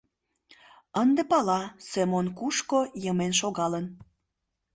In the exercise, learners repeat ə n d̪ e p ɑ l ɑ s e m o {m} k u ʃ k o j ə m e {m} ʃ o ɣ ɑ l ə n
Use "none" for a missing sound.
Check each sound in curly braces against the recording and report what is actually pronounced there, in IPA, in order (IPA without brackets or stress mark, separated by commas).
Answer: n, n